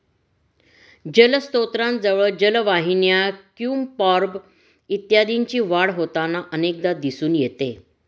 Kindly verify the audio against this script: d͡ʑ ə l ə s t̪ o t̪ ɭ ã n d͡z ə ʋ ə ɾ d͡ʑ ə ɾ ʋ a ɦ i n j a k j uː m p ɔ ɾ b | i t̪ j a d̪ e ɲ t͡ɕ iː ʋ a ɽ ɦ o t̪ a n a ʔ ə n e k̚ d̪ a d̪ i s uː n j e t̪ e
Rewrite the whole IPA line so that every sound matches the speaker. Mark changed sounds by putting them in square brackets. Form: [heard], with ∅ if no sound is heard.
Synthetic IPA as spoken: d͡ʑ ə l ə s t̪ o t̪ [ɾ] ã n d͡z ə ʋ ə [ɭ] d͡ʑ ə [l] ʋ a ɦ i n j a k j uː m p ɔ ɾ b | i t̪ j a d̪ [i] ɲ t͡ɕ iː ʋ a ɽ ɦ o t̪ a n a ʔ ə n e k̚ d̪ a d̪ i s uː n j e t̪ e